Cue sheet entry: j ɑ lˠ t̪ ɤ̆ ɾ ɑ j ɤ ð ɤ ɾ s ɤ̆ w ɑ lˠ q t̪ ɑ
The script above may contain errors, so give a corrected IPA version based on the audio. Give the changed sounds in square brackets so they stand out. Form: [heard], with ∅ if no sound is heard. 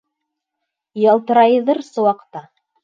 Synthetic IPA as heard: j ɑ lˠ t̪ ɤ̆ ɾ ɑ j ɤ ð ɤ ɾ s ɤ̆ w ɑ [∅] q t̪ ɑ